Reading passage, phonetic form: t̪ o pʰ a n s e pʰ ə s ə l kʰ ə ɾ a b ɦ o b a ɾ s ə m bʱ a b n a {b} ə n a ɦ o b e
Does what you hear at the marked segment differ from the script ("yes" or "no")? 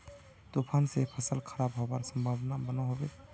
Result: no